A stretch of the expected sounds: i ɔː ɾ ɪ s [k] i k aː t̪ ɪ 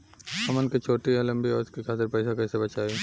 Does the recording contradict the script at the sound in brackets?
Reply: no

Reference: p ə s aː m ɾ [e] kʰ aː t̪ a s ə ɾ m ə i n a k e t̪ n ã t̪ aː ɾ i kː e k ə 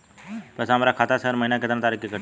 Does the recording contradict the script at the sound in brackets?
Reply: yes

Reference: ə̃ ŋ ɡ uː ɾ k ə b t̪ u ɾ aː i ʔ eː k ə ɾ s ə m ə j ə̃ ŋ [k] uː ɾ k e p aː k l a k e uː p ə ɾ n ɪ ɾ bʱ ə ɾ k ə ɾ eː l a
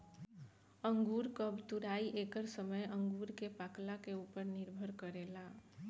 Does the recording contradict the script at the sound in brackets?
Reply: yes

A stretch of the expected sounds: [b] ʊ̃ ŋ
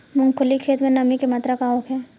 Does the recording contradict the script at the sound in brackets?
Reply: yes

